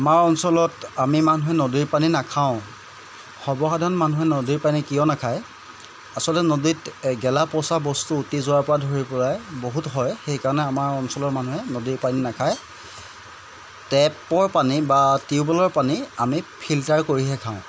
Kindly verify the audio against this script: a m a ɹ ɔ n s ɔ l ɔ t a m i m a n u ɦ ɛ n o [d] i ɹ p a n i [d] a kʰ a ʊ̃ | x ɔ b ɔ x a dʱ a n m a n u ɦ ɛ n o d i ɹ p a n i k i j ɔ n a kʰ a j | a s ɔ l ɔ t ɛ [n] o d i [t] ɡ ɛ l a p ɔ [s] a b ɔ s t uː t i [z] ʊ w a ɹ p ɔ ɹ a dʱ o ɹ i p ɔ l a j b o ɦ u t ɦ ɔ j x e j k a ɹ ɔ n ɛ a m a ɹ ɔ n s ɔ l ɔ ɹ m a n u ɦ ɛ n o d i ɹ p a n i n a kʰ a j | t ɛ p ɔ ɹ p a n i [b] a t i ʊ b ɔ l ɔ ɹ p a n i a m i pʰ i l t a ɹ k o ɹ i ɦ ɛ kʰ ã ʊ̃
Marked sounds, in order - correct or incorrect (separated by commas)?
correct, incorrect, correct, correct, correct, correct, correct